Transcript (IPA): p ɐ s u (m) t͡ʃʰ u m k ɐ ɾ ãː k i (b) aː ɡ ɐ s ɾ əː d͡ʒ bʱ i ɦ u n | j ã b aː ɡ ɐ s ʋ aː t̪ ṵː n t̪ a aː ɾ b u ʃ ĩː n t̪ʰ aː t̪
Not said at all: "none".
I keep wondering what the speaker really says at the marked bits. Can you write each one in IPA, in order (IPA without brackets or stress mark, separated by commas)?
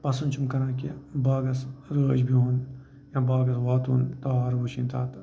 n, b